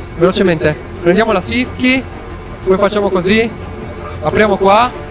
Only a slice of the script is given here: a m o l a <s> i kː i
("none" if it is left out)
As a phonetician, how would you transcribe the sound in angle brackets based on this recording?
s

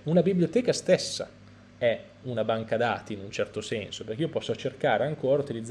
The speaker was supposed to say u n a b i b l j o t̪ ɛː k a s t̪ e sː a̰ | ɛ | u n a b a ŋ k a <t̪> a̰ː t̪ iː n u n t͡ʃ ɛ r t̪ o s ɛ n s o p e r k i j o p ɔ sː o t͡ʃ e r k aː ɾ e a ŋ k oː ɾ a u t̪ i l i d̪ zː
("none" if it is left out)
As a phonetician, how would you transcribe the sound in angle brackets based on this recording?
d̪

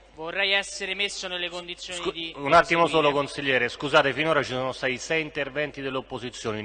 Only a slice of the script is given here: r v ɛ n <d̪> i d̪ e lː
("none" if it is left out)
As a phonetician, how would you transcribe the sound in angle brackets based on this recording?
t̪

